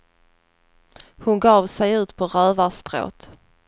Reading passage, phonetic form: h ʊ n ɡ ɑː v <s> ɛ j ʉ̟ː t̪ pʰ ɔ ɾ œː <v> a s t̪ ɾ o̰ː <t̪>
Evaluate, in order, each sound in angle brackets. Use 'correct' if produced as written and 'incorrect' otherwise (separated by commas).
correct, correct, correct